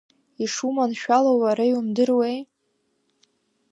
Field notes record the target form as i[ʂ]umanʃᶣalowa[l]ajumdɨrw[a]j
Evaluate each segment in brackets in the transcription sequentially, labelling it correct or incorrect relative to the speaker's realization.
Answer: correct, incorrect: ɾ, incorrect: e

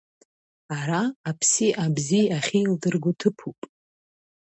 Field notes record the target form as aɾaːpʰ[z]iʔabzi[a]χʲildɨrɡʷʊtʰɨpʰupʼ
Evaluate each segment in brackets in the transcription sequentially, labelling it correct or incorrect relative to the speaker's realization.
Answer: incorrect: s, correct

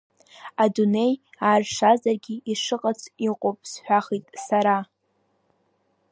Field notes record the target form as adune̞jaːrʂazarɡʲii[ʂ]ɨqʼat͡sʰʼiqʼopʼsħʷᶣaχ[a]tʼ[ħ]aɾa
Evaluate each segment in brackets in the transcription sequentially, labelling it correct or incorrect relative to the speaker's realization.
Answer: correct, incorrect: i, incorrect: s

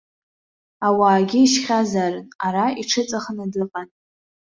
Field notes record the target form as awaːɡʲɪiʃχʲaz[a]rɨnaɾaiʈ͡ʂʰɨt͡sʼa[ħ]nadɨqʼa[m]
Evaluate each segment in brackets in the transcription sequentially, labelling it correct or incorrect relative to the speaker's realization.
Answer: correct, incorrect: χ, incorrect: n

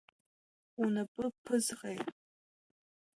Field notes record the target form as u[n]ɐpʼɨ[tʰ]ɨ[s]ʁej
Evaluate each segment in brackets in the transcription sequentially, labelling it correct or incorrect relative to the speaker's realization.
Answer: correct, incorrect: pʰ, incorrect: z

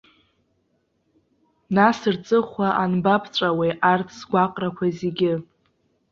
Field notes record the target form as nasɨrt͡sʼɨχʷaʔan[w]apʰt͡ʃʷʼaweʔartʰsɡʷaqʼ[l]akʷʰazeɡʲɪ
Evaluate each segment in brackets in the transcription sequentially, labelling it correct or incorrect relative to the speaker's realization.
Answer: incorrect: b, incorrect: r

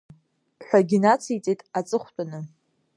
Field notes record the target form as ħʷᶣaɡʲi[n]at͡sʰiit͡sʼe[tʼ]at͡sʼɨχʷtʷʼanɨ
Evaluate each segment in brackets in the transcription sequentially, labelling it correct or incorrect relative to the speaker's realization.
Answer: correct, correct

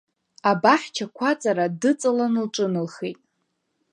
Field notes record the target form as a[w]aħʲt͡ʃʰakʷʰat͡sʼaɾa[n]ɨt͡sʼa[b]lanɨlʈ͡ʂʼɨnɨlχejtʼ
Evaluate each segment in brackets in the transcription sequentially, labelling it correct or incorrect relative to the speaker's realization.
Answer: incorrect: b, incorrect: d, incorrect: none

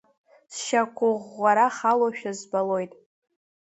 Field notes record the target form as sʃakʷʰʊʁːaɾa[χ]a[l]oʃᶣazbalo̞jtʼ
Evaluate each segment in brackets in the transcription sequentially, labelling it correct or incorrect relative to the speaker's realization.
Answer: correct, correct

